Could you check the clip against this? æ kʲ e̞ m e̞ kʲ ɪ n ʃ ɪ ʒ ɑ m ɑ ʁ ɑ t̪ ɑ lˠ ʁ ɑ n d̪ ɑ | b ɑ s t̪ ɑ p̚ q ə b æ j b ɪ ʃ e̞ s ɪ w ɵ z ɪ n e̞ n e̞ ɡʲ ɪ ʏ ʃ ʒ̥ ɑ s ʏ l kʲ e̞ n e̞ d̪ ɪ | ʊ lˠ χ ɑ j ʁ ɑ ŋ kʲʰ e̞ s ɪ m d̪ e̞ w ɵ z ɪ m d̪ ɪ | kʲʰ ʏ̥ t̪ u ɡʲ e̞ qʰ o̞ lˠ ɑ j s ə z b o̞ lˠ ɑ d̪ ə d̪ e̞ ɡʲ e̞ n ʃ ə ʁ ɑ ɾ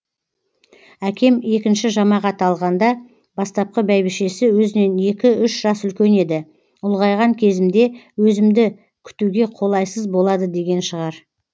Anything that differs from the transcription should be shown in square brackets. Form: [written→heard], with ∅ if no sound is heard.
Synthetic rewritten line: æ kʲ e̞ m e̞ kʲ ɪ n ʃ ɪ ʒ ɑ m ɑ ʁ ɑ t̪ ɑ lˠ ʁ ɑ n d̪ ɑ | b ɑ s t̪ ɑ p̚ q ə b æ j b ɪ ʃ e̞ s ɪ w ɵ z ɪ n e̞ n e̞ [ɡʲ→kʲ] ɪ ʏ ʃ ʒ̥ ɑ s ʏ l kʲ e̞ n e̞ d̪ ɪ | ʊ lˠ [χ→ʁ] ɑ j ʁ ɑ ŋ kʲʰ e̞ [s→z] ɪ m d̪ e̞ w ɵ z ɪ m d̪ ɪ | kʲʰ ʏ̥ t̪ u ɡʲ e̞ qʰ o̞ lˠ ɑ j s ə z b o̞ lˠ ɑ d̪ ə d̪ e̞ ɡʲ e̞ n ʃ ə ʁ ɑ ɾ